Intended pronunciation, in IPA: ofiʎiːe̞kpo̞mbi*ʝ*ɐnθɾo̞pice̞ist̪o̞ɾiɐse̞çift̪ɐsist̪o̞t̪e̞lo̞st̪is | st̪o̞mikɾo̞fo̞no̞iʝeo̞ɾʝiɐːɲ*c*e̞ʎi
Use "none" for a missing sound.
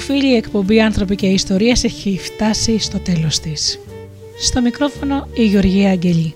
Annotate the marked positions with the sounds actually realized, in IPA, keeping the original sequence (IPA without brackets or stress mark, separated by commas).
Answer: none, ɟ